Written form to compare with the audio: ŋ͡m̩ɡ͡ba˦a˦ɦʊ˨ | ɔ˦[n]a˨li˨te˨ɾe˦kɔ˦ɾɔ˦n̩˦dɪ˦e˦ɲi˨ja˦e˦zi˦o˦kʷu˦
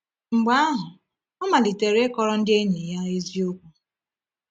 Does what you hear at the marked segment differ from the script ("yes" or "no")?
yes